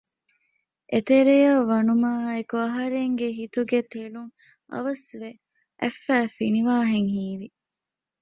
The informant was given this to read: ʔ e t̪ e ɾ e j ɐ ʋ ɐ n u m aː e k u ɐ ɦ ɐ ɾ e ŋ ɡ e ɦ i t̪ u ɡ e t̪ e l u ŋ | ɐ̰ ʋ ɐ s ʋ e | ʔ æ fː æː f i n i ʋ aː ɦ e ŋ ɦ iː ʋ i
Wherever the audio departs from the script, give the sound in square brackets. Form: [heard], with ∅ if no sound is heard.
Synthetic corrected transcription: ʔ e t̪ e ɾ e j ɐ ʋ ɐ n u m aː e k u ɐ ɦ ɐ ɾ e ŋ ɡ e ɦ i t̪ u ɡ e t̪ e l u ŋ | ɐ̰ ʋ ɐ s ʋ e | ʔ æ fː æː f i n i ʋ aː ɦ e ŋ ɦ iː ʋ i